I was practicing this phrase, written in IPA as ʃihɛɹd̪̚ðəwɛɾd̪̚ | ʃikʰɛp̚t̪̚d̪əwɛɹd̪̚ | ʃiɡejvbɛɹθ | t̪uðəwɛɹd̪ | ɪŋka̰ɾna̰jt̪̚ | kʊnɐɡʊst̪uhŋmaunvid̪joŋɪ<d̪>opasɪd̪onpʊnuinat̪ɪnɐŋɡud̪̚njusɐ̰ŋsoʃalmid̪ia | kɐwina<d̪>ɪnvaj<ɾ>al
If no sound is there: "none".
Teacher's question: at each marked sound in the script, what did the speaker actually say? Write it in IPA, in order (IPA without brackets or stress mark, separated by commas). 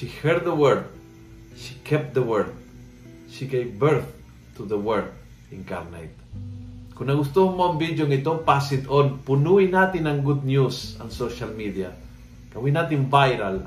t̪, t̪, ɾ